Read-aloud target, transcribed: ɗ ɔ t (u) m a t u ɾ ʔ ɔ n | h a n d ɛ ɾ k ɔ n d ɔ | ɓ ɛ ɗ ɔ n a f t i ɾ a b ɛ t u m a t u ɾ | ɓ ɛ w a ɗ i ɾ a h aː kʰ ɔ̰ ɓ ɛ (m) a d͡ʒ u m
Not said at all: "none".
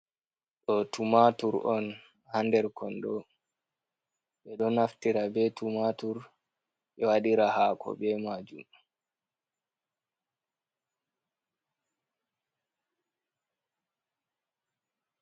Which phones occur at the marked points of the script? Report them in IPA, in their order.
u, m

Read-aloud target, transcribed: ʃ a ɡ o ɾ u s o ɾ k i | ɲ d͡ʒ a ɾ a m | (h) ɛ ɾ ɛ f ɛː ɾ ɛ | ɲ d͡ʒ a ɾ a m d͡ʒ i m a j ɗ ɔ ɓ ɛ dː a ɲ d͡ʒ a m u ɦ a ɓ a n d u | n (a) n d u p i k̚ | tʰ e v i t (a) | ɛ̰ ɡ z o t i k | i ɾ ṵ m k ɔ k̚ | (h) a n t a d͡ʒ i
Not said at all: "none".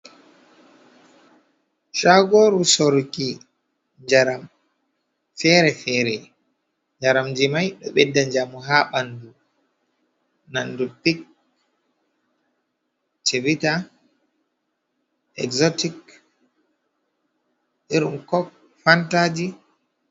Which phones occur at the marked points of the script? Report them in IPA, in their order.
f, a, a, f

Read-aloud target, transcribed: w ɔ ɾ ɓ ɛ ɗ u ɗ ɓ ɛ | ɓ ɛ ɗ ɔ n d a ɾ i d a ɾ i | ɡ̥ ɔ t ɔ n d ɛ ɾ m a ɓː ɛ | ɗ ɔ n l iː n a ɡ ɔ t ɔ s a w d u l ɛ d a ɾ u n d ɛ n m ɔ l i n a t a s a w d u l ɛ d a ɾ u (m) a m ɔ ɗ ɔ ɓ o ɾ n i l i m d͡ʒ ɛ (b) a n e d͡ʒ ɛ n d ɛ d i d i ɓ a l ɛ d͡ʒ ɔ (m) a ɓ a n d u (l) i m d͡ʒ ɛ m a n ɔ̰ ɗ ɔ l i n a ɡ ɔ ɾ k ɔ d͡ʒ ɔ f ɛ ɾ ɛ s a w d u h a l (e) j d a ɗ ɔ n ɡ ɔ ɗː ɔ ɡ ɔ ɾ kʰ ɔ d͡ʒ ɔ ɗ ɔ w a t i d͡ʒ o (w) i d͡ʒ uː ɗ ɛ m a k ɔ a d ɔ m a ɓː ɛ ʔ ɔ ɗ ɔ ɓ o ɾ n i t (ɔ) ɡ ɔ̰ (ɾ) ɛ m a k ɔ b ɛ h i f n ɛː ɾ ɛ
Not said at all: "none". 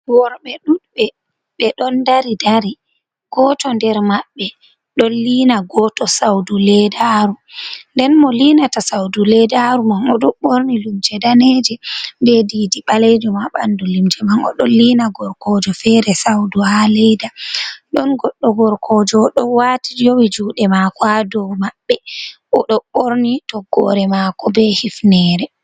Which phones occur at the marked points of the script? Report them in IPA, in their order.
m, d, m, l, ɛ, w, ɔ, ɾ

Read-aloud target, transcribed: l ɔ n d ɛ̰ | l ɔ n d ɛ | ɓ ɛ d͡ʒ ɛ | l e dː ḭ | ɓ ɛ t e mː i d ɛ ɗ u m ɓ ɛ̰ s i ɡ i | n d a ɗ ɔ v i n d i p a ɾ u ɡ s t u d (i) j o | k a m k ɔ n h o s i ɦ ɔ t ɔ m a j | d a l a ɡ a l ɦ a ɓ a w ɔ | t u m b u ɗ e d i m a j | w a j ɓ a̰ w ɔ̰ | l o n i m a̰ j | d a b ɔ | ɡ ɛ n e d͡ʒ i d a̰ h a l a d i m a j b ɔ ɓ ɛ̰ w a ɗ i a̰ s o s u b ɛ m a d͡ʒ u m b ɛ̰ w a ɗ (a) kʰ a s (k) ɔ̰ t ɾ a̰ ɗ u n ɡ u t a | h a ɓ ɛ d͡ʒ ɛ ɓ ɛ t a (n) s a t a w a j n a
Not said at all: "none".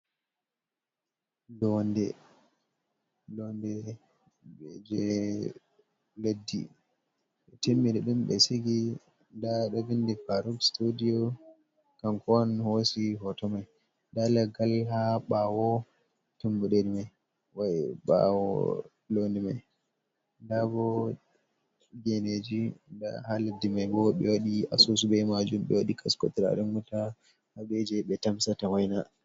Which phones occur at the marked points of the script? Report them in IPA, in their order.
i, i, k, m

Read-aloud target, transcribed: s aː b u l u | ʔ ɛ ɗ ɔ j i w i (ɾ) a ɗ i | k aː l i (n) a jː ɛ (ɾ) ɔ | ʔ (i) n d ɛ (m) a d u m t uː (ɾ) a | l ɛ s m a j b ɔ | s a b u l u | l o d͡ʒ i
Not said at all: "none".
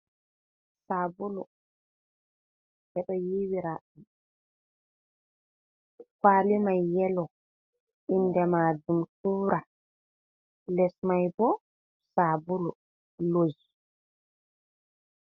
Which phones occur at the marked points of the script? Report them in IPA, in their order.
ɾ, m, l, i, m, ɾ

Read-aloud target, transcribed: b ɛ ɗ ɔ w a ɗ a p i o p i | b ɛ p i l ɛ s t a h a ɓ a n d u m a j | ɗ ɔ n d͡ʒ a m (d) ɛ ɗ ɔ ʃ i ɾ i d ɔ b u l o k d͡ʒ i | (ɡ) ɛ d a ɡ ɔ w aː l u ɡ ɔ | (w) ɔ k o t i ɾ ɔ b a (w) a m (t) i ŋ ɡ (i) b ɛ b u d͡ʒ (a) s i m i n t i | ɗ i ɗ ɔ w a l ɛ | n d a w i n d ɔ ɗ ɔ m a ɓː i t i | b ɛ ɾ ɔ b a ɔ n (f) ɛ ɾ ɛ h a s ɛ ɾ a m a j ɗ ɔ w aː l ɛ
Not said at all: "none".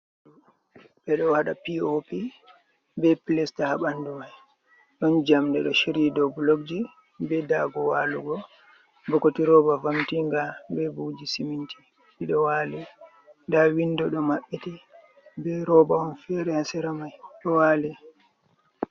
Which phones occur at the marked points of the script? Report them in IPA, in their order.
d, b, b, v, t, a, i, f

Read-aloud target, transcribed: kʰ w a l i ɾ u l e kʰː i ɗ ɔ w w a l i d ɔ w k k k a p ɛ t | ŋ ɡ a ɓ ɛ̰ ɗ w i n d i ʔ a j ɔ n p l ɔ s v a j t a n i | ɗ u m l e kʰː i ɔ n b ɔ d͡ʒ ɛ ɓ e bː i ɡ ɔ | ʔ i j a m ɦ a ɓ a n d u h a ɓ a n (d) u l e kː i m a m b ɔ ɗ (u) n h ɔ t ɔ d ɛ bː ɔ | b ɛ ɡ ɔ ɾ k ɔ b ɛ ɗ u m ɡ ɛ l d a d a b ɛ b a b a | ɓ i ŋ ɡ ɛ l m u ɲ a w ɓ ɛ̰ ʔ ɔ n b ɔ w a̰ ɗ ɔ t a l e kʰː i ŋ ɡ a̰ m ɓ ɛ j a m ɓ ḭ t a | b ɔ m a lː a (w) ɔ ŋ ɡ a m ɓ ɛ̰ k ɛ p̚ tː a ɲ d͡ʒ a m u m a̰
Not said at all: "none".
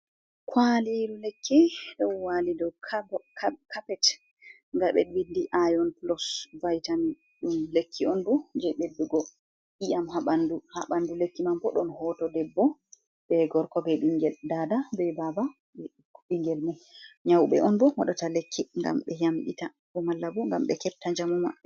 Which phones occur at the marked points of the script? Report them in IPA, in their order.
d, ɔ, b

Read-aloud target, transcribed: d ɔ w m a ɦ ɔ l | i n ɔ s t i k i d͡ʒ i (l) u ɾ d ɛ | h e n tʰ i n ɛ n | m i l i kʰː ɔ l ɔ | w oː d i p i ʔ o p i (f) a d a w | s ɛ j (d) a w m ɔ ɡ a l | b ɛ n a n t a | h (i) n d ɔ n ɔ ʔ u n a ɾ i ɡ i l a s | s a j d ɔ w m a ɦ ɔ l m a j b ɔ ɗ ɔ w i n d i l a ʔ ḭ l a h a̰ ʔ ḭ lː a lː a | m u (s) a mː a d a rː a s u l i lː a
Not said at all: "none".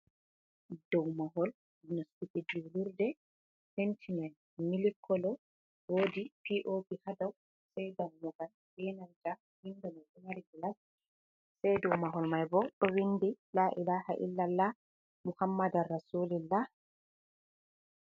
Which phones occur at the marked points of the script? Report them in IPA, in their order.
l, h, d, i, h

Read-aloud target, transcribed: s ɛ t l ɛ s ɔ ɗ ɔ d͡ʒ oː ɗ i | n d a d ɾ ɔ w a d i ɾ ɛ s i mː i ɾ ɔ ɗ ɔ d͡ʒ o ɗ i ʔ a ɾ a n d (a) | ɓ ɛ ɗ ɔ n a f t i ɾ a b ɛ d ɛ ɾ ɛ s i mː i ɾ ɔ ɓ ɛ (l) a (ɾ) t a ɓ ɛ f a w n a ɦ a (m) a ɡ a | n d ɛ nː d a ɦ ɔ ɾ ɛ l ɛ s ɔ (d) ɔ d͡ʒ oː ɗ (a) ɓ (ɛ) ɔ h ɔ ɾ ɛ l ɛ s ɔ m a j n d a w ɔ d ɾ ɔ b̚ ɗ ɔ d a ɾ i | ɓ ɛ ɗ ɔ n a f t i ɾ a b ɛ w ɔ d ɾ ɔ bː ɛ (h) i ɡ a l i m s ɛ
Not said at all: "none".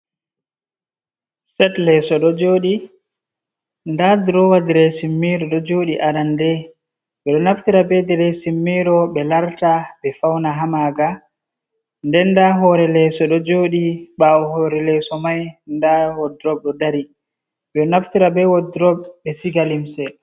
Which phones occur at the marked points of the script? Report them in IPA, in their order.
ɛ, l, ɾ, m, ɗ, i, a, s

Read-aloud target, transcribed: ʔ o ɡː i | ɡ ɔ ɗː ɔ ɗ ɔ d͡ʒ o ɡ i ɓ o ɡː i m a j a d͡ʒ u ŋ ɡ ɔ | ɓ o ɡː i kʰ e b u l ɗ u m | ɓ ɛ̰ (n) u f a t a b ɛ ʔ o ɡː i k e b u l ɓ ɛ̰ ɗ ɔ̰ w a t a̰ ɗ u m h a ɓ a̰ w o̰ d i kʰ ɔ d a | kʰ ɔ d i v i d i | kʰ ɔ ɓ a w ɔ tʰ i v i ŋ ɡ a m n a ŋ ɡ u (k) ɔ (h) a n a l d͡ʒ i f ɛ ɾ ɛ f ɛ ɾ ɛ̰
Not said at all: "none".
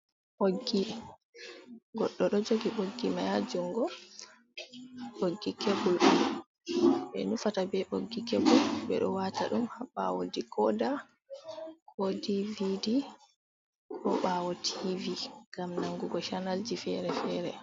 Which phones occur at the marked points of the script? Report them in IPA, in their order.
n, ɡ, ʃ

